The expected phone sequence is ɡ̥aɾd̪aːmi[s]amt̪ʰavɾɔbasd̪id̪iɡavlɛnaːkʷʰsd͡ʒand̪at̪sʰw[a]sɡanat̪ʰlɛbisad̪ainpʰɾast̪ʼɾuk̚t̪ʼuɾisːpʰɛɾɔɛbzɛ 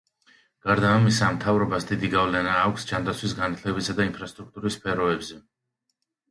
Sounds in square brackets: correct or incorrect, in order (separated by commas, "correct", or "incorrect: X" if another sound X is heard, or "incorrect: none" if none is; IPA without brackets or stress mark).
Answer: correct, incorrect: i